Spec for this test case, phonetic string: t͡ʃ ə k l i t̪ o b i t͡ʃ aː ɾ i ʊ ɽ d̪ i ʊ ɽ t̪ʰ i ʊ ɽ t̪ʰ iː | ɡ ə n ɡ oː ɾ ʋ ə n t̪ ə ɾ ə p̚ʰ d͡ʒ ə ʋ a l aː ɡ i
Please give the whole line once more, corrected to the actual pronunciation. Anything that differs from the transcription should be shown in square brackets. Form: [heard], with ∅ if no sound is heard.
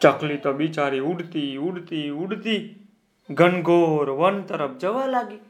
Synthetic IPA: t͡ʃ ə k l i t̪ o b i t͡ʃ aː ɾ i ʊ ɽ [t̪] i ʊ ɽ [t̪] i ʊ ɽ [t̪] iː | ɡ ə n ɡ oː ɾ ʋ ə n t̪ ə ɾ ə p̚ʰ d͡ʒ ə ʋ a l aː ɡ i